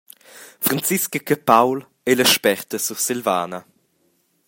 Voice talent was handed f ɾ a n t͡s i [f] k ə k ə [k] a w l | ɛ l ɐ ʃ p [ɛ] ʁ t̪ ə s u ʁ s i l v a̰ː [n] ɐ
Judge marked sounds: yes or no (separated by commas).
no, no, yes, yes